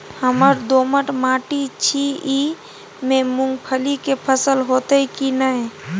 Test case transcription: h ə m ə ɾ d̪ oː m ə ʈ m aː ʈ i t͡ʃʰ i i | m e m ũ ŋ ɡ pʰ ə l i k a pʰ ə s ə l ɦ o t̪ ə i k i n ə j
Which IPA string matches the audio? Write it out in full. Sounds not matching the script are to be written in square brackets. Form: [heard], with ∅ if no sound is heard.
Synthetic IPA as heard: h ə m ə ɾ d̪ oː m ə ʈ m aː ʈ i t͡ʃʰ i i | m e m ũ ŋ ɡ pʰ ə l i k [e] pʰ ə s ə l ɦ o t̪ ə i k i n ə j